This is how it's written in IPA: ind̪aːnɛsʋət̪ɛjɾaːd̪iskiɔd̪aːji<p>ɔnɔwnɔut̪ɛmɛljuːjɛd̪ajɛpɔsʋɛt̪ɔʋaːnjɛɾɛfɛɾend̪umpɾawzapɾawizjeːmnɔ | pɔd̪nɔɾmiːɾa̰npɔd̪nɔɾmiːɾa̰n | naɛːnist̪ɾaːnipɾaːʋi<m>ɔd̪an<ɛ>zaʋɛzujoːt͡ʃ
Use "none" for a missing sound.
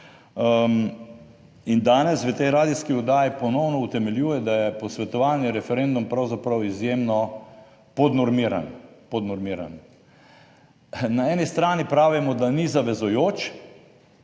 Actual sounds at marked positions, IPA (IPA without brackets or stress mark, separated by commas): p, m, i